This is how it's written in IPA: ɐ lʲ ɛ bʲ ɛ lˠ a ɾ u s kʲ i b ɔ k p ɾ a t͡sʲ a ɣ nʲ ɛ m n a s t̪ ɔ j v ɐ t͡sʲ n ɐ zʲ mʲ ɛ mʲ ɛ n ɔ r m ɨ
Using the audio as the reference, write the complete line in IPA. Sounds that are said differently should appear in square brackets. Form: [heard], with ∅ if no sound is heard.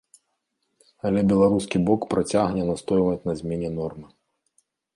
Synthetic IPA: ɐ lʲ ɛ bʲ ɛ lˠ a ɾ u s kʲ i b ɔ k p ɾ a t͡sʲ a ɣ nʲ ɛ [∅] n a s t̪ ɔ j v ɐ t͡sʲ n ɐ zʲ mʲ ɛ [nʲ] ɛ n ɔ r m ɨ